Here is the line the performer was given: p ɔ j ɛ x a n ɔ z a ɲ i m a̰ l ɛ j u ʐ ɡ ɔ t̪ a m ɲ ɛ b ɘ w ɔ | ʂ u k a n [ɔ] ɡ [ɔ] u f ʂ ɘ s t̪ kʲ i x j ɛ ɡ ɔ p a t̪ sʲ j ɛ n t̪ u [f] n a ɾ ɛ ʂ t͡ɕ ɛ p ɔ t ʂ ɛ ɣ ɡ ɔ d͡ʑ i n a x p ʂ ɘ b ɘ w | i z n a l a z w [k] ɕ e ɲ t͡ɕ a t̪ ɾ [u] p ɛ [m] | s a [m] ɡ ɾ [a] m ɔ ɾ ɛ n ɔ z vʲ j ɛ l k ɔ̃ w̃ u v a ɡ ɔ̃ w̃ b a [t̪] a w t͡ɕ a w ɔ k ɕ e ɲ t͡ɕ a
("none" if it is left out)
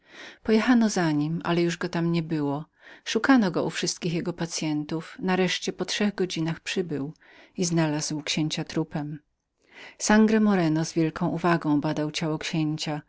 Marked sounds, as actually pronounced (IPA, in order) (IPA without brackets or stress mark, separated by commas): ɔ, ɔ, f, k, u, m, ŋ, ɛ, d̪